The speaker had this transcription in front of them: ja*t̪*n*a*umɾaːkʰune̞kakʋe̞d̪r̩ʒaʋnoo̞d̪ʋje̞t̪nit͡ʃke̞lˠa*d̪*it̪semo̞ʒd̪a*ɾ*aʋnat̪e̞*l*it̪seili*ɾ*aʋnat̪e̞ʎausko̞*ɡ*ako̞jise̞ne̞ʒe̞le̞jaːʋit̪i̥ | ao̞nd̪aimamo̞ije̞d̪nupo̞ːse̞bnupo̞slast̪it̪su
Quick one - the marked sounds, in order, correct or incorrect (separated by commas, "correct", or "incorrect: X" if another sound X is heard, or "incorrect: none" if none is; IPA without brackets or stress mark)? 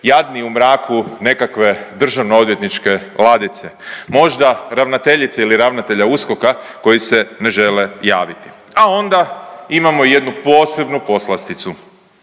incorrect: d̪, incorrect: i, correct, correct, incorrect: ʎ, correct, incorrect: k